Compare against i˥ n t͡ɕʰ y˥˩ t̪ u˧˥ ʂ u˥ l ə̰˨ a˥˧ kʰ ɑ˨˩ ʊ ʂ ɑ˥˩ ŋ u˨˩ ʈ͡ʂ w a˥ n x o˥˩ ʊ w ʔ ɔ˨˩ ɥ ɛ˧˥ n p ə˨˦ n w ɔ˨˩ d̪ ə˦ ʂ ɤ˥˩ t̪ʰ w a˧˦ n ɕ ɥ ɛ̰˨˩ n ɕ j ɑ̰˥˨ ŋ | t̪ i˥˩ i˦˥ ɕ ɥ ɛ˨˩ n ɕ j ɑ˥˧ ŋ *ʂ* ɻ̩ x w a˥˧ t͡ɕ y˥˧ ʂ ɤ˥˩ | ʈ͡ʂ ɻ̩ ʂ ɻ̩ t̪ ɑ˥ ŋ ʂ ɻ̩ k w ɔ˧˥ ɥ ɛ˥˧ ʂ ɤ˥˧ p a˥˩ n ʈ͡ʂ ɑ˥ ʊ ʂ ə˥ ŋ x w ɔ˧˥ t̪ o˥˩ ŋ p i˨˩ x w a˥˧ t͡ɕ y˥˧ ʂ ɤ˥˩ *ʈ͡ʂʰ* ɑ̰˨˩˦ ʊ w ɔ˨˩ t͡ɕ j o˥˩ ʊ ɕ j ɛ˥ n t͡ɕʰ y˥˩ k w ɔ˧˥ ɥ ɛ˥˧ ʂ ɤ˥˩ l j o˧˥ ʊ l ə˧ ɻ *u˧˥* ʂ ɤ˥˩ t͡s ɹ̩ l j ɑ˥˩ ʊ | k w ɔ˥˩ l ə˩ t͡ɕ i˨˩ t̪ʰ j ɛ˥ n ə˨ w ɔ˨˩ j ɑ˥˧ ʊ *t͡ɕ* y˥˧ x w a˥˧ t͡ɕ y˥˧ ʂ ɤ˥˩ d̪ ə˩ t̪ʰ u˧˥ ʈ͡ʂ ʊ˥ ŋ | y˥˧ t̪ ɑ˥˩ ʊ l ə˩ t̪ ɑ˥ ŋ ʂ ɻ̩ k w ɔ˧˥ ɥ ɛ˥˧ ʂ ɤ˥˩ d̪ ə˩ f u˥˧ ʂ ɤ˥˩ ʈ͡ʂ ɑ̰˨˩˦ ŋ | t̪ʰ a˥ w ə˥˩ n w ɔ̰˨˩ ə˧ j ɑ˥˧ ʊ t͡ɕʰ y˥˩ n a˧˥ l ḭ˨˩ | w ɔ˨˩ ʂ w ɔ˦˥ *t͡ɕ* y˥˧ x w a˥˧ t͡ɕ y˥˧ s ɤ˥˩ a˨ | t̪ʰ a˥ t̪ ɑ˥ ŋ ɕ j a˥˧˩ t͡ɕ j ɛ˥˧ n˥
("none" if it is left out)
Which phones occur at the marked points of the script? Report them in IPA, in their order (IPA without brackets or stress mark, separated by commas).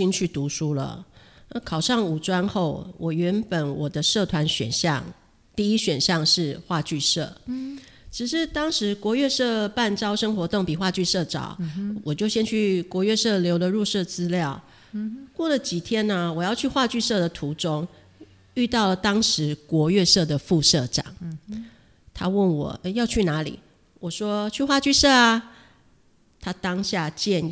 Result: ʂ, ʈ͡ʂ, u˥˧, t͡ɕʰ, t͡ɕʰ